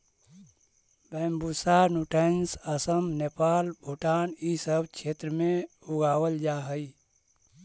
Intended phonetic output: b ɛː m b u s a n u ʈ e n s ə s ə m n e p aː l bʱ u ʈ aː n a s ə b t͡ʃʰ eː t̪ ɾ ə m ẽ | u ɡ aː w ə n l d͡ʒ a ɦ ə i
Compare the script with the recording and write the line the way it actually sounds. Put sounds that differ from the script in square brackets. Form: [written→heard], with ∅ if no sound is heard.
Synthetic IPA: b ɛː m b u s a n u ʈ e n s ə s ə m n e p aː l bʱ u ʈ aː n [a→i] s ə b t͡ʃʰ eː t̪ ɾ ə m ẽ | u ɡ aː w ə [n→∅] l d͡ʒ a ɦ ə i